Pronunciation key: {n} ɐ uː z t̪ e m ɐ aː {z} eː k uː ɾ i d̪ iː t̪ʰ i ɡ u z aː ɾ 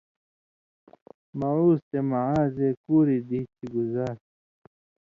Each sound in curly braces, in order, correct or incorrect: incorrect, correct

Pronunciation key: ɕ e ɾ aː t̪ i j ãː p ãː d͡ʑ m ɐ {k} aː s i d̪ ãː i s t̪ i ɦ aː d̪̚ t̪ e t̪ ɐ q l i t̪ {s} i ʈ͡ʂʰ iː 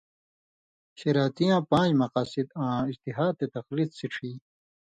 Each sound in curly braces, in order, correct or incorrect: incorrect, correct

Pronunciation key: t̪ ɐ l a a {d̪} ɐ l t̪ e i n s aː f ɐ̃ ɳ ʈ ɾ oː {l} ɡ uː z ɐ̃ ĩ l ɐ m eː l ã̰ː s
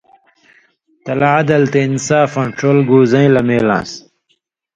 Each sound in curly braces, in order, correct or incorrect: correct, correct

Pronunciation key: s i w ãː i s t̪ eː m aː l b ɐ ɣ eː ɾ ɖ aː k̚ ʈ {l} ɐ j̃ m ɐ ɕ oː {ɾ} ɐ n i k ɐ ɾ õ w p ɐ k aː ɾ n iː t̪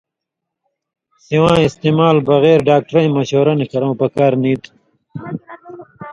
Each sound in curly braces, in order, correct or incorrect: incorrect, correct

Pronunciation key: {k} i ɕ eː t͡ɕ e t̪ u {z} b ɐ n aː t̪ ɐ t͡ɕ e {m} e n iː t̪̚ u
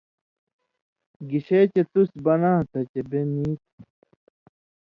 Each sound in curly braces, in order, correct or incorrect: incorrect, incorrect, incorrect

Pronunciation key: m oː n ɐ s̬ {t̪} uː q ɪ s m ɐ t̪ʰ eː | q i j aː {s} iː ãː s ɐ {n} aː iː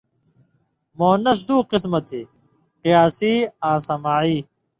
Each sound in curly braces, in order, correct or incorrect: incorrect, correct, incorrect

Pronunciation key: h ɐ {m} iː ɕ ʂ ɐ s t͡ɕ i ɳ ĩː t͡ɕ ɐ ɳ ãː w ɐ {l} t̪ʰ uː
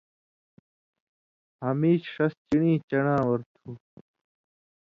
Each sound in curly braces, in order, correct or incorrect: correct, incorrect

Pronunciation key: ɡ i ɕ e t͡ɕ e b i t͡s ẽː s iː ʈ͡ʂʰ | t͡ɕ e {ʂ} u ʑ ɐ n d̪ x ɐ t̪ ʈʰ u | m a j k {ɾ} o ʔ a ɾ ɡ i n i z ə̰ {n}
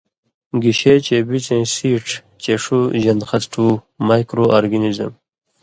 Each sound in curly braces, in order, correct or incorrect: correct, correct, incorrect

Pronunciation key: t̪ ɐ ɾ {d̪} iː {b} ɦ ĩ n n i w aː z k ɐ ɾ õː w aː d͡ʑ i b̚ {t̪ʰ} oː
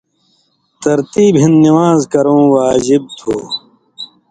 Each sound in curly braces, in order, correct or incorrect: incorrect, correct, correct

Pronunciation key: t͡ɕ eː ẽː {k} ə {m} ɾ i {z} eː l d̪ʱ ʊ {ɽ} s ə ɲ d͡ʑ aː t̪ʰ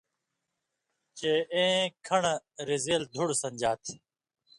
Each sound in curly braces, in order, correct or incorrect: incorrect, incorrect, correct, correct

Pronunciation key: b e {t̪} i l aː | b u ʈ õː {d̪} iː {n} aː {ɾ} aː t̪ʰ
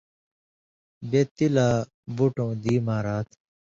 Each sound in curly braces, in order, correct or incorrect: correct, correct, incorrect, correct

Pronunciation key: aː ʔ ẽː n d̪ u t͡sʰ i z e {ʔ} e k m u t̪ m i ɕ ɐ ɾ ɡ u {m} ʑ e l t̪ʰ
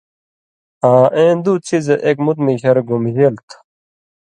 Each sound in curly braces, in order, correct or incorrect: correct, correct

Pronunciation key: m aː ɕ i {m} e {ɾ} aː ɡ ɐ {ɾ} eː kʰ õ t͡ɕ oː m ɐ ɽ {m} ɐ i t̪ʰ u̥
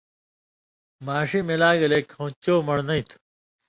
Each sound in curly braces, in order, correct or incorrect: correct, incorrect, incorrect, incorrect

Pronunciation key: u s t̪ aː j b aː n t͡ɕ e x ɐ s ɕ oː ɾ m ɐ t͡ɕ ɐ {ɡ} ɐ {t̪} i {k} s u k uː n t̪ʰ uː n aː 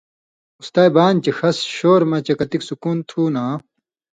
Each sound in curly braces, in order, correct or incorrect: incorrect, correct, correct

